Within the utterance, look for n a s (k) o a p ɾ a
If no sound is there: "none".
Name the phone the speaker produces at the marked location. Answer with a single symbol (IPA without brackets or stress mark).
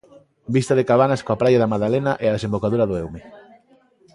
k